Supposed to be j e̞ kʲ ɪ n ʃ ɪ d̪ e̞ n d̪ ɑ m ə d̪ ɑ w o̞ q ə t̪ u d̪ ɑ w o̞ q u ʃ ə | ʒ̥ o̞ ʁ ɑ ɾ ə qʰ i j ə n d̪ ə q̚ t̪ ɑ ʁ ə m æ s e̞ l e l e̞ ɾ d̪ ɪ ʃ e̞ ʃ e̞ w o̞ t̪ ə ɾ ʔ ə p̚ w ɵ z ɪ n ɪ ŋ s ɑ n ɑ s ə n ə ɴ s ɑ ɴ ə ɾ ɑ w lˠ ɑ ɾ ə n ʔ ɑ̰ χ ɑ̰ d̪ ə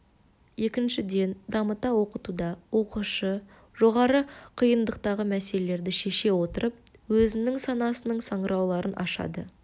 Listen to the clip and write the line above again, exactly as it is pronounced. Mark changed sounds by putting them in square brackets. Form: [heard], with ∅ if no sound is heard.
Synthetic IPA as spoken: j e̞ kʲ ɪ n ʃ ɪ d̪ e̞ n d̪ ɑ m ə [t̪] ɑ w o̞ q ə t̪ u d̪ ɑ w o̞ q u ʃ ə | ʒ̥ o̞ ʁ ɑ ɾ ə qʰ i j ə n d̪ ə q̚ t̪ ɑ ʁ ə m æ s e̞ l e l e̞ ɾ d̪ ɪ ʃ e̞ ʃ e̞ w o̞ t̪ ə ɾ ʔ ə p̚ w ɵ z ɪ n ɪ ŋ s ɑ n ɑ s ə n ə ɴ s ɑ ɴ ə ɾ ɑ w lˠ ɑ ɾ ə n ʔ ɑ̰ [ʃ] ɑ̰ d̪ ə